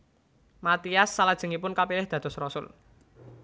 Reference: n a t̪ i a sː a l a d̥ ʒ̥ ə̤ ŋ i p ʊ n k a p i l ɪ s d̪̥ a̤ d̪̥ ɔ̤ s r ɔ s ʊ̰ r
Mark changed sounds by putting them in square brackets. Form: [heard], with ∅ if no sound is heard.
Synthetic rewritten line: [m] a t̪ i a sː a l a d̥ ʒ̥ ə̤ ŋ i p ʊ n k a p i l ɪ [h] d̪̥ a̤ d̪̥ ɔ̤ s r ɔ s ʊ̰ [l]